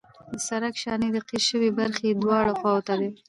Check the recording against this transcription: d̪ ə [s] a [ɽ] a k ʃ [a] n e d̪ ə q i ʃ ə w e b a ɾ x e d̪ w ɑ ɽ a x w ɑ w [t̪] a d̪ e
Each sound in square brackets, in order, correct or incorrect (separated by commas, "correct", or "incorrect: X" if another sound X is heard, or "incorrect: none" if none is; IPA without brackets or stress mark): correct, incorrect: ɾ, incorrect: ɑ, correct